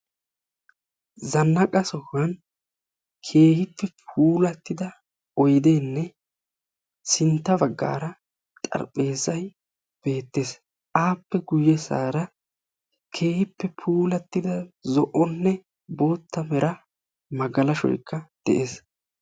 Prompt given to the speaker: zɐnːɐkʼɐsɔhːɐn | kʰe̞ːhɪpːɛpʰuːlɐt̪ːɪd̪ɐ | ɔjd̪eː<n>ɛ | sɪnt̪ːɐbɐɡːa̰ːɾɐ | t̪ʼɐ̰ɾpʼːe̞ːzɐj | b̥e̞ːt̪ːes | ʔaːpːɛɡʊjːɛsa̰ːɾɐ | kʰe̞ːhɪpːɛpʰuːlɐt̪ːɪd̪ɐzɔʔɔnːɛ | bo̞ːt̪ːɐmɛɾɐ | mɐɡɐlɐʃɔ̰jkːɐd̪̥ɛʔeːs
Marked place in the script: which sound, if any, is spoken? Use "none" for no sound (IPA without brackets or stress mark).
nː